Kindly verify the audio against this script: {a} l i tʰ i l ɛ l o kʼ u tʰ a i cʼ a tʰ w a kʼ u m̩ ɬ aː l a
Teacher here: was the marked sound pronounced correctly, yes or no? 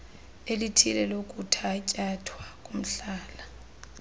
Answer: no